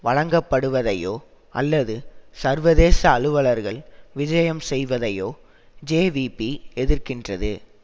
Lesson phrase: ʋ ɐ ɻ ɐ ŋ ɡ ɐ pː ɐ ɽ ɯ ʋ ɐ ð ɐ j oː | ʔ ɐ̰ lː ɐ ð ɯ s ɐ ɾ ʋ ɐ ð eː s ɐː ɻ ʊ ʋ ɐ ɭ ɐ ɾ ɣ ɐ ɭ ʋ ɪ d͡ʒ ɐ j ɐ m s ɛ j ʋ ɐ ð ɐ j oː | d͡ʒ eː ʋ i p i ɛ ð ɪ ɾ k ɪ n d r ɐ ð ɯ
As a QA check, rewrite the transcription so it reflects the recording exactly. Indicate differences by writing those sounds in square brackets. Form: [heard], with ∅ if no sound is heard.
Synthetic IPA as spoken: ʋ ɐ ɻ ɐ ŋ ɡ ɐ pː ɐ ɽ ɯ ʋ ɐ ð ɐ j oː | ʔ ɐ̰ lː ɐ ð ɯ s ɐ ɾ ʋ ɐ ð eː s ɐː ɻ [ɯ] ʋ ɐ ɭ ɐ ɾ ɣ ɐ ɭ ʋ ɪ d͡ʒ ɐ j ɐ m s ɛ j ʋ ɐ ð ɐ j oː | d͡ʒ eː ʋ i p i ɛ ð ɪ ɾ k ɪ n d r ɐ ð ɯ